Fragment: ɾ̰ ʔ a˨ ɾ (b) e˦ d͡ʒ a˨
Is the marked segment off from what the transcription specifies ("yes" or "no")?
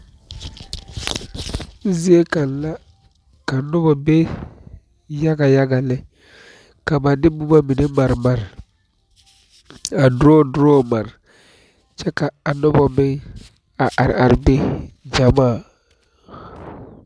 no